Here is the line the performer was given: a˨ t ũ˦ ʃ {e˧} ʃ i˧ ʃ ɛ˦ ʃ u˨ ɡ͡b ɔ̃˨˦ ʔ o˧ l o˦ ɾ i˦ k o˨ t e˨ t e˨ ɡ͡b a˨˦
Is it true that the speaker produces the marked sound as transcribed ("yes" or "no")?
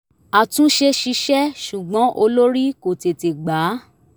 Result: yes